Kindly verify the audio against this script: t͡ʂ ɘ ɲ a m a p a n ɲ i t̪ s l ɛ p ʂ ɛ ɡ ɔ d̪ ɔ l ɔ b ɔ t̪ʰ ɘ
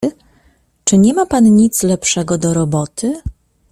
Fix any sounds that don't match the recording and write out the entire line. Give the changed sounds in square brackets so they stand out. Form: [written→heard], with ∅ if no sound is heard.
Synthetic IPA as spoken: t͡ʂ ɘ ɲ [a→ɛ] m a p a n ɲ i t̪ s l ɛ p ʂ ɛ ɡ ɔ d̪ ɔ [l→ɾ] ɔ b ɔ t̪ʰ ɘ